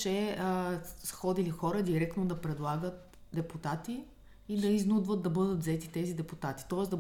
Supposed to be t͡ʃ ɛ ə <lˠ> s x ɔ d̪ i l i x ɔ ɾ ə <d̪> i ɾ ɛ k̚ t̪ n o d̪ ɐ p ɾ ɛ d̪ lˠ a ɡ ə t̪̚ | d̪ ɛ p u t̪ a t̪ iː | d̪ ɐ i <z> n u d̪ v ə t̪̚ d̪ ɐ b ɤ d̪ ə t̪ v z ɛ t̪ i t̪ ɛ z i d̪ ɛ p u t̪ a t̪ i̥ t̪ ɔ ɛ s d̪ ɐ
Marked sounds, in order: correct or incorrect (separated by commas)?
incorrect, correct, correct